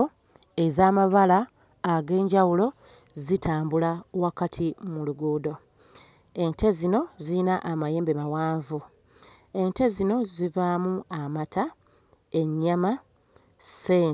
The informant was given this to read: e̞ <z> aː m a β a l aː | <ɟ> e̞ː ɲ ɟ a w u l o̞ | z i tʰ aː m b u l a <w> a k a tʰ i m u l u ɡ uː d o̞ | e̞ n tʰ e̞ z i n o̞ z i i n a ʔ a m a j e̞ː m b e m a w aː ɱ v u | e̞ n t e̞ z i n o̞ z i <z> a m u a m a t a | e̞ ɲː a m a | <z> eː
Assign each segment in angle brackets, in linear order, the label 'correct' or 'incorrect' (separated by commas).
correct, incorrect, correct, incorrect, incorrect